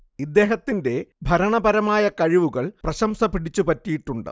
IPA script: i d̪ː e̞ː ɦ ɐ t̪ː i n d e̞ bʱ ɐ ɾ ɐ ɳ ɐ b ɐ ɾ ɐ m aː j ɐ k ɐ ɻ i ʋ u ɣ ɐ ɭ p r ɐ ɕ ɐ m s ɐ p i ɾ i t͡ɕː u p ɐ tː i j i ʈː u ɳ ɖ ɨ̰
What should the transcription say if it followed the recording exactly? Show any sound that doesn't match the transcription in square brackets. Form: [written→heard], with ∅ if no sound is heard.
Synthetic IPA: i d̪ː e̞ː ɦ ɐ t̪ː i n d e̞ bʱ ɐ ɾ ɐ ɳ ɐ b ɐ ɾ ɐ m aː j ɐ k ɐ ɻ i ʋ u ɣ ɐ ɭ p r ɐ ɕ ɐ m s ɐ p i [ɾ→ɽ] i t͡ɕː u p ɐ tː i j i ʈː u ɳ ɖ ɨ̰

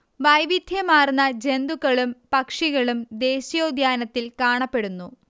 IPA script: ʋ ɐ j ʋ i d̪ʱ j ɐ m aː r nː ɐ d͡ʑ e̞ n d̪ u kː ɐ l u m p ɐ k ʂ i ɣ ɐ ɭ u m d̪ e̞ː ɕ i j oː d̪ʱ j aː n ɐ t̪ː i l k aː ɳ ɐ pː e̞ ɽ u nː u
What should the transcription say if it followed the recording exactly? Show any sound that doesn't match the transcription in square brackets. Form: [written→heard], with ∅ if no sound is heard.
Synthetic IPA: ʋ ɐ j ʋ i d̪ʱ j ɐ m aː r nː ɐ d͡ʑ e̞ n d̪ u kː ɐ [l→ɭ] u m p ɐ k ʂ i ɣ ɐ ɭ u m d̪ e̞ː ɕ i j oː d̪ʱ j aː n ɐ t̪ː i l k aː ɳ ɐ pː e̞ ɽ u nː u

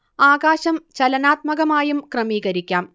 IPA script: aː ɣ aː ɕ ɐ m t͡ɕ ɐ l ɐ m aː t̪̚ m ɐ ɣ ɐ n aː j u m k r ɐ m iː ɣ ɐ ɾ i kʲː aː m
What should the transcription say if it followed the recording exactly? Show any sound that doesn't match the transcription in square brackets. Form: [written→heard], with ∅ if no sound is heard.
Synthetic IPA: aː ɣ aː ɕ ɐ m t͡ɕ ɐ l ɐ [m→n] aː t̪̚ m ɐ ɣ ɐ [n→m] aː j u m k r ɐ m iː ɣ ɐ ɾ i kʲː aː m

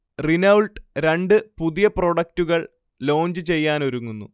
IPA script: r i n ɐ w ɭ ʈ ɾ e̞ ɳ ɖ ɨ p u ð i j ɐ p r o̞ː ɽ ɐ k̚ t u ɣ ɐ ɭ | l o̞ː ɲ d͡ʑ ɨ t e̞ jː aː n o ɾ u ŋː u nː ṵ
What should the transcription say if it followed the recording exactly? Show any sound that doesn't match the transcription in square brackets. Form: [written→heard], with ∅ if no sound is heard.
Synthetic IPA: r i n ɐ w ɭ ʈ ɾ e̞ ɳ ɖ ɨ p u ð i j ɐ p r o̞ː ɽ ɐ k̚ t u ɣ ɐ ɭ | l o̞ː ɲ d͡ʑ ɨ [t→t͡ɕ] e̞ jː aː n o ɾ u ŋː u nː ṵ

